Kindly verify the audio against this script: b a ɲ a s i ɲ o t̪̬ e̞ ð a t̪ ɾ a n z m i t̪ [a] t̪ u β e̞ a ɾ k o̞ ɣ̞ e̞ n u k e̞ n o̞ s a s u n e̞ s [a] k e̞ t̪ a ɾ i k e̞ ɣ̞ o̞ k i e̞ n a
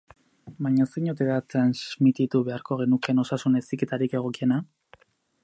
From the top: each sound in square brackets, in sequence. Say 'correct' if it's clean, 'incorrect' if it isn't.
incorrect: i, incorrect: i

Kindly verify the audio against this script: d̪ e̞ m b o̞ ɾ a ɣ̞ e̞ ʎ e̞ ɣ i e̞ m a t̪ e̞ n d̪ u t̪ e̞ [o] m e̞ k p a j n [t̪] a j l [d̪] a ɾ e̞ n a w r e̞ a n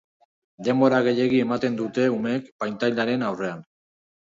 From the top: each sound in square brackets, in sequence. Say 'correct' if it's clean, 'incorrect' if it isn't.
incorrect: u, correct, correct

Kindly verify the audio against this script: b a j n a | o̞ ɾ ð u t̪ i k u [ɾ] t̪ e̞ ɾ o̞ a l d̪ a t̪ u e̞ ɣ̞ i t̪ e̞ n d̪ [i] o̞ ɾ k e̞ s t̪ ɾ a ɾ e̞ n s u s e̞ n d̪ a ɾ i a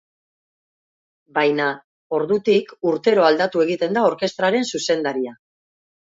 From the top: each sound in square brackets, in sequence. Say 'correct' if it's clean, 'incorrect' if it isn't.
correct, incorrect: a

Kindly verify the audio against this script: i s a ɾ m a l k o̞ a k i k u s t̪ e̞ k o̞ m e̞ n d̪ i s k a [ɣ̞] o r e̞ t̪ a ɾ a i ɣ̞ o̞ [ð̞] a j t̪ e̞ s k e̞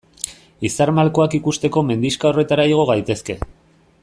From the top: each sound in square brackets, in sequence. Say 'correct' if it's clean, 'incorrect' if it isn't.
incorrect: none, incorrect: ɣ̞

